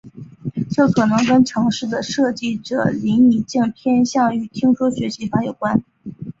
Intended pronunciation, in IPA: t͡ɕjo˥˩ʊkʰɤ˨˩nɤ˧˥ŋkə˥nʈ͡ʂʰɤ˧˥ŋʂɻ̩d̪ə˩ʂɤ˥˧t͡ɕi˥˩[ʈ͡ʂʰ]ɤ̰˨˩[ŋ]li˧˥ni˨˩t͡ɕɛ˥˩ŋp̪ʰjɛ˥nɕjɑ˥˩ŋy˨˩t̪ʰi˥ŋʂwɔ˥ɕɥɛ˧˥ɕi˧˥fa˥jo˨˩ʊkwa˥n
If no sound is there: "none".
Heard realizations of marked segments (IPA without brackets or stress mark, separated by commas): ʈ͡ʂ, none